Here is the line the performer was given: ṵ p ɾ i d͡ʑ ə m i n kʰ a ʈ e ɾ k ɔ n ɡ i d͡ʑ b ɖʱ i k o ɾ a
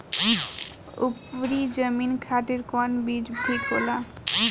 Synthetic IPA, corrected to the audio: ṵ p ɾ i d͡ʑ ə m i n kʰ a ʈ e ɾ k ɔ n b i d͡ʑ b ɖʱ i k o l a